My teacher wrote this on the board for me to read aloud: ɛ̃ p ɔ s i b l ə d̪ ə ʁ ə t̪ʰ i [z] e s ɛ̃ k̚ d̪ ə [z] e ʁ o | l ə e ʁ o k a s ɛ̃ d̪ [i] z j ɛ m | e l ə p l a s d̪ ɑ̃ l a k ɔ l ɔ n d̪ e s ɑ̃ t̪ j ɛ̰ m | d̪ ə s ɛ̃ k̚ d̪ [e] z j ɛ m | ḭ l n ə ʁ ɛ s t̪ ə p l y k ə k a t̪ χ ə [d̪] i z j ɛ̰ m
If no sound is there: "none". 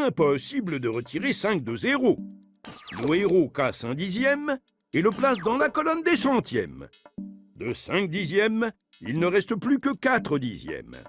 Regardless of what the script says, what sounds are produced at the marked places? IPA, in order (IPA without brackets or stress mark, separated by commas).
ʁ, z, i, i, d̪